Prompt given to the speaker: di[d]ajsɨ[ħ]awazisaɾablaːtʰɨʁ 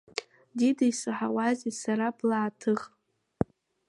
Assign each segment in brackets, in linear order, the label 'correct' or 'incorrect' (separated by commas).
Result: correct, correct